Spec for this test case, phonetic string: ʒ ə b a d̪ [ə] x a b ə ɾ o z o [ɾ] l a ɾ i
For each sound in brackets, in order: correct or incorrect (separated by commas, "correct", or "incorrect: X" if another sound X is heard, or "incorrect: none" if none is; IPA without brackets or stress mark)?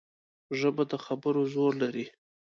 correct, correct